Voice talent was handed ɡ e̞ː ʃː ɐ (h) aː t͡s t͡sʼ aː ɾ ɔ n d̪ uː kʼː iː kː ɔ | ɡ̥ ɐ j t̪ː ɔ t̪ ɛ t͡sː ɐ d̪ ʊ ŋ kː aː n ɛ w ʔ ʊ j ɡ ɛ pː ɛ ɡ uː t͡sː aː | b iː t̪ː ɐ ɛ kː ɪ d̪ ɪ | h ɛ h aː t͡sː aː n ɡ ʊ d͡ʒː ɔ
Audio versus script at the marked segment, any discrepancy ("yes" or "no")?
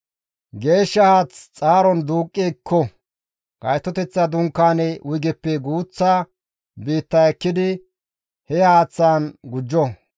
no